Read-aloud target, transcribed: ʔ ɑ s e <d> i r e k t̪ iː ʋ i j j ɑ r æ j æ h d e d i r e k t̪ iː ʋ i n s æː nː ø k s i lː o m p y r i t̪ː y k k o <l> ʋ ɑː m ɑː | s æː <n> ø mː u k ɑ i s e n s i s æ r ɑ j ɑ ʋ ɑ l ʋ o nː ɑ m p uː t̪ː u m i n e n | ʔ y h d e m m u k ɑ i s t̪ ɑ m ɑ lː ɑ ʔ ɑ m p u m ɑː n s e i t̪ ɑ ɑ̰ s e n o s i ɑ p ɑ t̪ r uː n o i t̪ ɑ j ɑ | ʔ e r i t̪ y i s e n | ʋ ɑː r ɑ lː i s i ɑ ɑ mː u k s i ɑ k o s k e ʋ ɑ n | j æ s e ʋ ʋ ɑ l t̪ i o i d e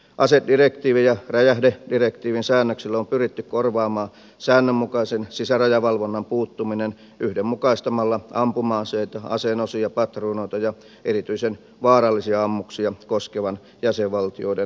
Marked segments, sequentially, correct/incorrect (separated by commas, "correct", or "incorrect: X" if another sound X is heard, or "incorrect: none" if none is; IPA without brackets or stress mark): correct, incorrect: r, incorrect: nː